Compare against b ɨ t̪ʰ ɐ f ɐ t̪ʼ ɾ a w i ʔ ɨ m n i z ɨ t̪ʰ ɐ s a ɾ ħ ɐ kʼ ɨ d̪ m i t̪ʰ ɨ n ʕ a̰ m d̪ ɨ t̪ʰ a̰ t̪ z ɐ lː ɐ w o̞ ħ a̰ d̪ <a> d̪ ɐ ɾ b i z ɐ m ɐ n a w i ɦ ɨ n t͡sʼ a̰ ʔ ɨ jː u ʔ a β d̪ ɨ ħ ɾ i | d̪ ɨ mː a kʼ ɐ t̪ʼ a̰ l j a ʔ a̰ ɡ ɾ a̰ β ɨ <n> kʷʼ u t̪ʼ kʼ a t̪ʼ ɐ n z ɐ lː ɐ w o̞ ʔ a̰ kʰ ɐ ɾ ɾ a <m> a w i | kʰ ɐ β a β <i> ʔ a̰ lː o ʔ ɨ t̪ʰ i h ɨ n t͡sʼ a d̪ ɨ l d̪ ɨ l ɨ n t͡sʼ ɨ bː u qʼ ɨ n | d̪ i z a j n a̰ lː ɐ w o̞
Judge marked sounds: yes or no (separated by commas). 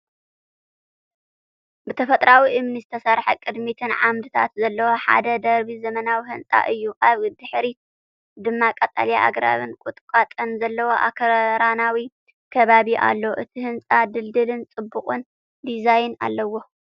no, yes, no, yes